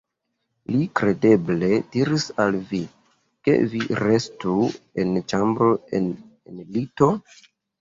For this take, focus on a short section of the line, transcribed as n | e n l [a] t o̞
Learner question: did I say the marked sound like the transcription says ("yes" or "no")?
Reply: no